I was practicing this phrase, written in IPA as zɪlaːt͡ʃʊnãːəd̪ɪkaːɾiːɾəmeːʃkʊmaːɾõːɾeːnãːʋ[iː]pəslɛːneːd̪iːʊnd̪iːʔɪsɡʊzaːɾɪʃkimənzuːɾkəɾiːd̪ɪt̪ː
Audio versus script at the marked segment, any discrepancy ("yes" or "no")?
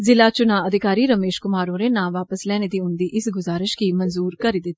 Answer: yes